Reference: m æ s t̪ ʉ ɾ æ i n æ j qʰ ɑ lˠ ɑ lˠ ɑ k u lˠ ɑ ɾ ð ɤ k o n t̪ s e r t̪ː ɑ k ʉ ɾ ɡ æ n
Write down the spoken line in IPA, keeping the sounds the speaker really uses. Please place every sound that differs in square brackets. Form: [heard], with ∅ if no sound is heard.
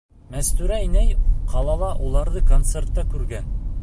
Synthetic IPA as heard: m æ s t̪ ʉ ɾ æ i n æ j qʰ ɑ lˠ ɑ lˠ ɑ [ʔ] u lˠ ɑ ɾ ð ɤ k o n t̪ s e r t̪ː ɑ k ʉ ɾ ɡ æ n